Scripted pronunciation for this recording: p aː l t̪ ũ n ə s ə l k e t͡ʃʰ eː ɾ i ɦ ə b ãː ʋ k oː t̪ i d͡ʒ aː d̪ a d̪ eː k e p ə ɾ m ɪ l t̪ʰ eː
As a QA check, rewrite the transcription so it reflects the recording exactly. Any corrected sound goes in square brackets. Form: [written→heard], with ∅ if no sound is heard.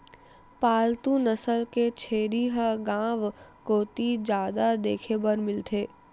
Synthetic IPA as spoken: p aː l t̪ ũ n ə s ə l k e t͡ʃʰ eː ɾ i ɦ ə [b→ɡ] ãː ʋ k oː t̪ i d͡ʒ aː d̪ a d̪ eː [k→kʰ] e [p→b] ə ɾ m ɪ l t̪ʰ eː